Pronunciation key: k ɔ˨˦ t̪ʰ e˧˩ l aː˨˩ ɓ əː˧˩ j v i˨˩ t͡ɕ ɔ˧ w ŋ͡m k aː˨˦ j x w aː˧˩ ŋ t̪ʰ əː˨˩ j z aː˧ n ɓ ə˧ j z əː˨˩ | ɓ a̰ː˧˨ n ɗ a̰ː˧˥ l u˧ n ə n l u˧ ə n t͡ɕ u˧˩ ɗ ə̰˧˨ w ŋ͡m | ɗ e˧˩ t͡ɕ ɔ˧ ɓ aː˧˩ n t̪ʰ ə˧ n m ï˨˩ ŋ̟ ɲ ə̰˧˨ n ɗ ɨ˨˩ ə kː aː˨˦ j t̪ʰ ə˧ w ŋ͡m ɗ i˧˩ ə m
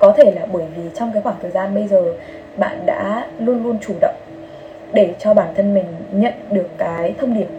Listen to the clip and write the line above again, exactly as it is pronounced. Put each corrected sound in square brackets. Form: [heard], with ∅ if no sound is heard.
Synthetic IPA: k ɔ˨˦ t̪ʰ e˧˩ l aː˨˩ ɓ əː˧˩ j v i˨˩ t͡ɕ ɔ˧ w ŋ͡m k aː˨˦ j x w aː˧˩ ŋ t̪ʰ əː˨˩ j z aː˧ n ɓ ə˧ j z əː˨˩ | ɓ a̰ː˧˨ n ɗ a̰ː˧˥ l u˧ [∅] ə n l u˧ ə n t͡ɕ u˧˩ ɗ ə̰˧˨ w ŋ͡m | ɗ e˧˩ t͡ɕ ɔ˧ ɓ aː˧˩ n t̪ʰ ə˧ n m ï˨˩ ŋ̟ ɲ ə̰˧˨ n ɗ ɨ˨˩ ə kː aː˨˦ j t̪ʰ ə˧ w ŋ͡m ɗ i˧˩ ə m